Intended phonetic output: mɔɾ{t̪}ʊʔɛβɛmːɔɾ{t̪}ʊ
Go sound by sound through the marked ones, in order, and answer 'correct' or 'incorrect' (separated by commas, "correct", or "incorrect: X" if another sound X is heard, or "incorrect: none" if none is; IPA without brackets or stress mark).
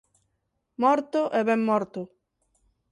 correct, correct